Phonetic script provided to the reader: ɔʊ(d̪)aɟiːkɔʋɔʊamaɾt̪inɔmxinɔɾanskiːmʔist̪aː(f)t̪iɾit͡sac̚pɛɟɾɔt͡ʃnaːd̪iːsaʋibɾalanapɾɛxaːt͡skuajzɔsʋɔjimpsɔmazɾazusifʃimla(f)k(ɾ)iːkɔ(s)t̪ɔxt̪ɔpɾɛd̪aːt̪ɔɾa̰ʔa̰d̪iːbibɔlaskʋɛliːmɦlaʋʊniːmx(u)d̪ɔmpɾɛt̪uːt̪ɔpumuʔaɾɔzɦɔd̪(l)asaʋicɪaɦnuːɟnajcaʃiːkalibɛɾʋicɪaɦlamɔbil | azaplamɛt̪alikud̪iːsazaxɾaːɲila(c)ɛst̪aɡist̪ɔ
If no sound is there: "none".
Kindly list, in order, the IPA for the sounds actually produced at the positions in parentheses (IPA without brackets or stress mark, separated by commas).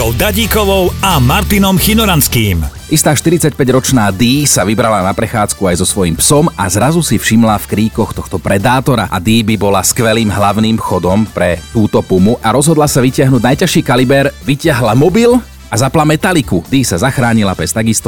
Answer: d̪, ʃ, f, ɾ, x, ɔ, l, p